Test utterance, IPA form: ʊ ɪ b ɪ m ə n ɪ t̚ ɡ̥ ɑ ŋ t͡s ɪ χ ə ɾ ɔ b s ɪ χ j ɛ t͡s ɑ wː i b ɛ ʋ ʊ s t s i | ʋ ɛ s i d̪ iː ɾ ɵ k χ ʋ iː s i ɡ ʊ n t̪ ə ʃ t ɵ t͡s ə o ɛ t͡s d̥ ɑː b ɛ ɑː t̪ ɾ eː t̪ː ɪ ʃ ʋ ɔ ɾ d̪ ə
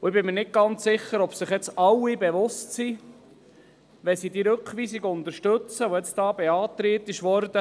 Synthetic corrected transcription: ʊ ɪ b ɪ m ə n ɪ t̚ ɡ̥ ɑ n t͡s ɪ χ ə ɾ ɔ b s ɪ χ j ɛ t͡s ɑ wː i b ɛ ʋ ʊ s t s i | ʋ ɛ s i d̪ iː ɾ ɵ k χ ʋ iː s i ɡ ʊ n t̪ ə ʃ t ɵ t͡s ə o ɛ t͡s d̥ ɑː b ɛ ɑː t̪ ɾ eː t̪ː ɪ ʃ ʋ ɔ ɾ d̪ ə